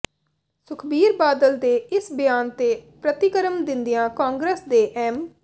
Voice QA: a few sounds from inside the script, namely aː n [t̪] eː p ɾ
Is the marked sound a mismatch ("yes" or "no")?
no